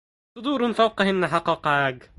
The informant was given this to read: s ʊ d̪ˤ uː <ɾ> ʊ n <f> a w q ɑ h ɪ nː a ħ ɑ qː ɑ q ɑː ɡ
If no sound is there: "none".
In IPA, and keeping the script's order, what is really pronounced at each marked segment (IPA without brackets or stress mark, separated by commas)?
ɾ, f